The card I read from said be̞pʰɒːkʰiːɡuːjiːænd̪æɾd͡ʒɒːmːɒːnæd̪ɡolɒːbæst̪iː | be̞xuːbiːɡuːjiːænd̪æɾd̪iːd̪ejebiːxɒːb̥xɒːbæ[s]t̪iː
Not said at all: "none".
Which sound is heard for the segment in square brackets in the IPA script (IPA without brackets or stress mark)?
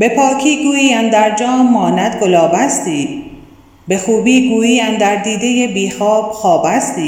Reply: s